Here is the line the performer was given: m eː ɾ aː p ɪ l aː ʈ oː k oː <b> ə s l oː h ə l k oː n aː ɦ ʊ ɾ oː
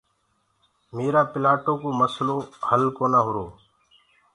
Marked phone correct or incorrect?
incorrect: m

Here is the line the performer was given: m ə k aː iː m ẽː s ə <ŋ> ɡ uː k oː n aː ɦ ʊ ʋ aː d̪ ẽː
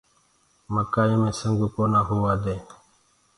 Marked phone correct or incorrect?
correct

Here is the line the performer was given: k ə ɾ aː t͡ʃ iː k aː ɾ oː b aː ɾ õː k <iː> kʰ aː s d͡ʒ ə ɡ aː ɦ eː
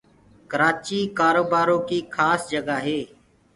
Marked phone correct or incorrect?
correct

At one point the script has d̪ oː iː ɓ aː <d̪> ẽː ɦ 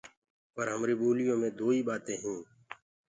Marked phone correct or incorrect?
incorrect: t̪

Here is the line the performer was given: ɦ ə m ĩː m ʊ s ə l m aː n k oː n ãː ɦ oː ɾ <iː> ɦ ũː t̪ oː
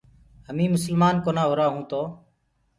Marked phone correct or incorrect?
incorrect: aː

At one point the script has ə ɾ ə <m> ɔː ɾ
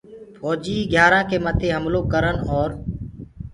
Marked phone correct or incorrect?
incorrect: n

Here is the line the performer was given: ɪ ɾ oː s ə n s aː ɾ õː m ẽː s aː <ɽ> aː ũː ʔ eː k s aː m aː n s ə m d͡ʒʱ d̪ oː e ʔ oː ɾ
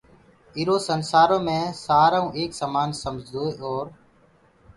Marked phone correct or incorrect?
incorrect: ɾ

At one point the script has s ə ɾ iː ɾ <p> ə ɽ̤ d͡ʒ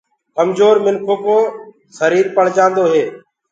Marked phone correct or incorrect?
correct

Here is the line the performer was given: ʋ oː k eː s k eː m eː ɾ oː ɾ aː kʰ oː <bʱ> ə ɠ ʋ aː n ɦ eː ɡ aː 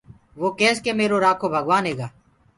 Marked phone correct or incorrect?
correct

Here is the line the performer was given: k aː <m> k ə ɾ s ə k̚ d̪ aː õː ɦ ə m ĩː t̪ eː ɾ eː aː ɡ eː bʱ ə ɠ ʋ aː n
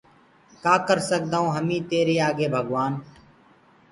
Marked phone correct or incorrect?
incorrect: none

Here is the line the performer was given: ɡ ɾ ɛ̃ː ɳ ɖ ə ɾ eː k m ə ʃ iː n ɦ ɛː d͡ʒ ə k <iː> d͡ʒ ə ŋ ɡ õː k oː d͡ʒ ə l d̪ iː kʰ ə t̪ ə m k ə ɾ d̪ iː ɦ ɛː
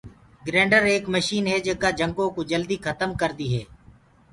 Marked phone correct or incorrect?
incorrect: aː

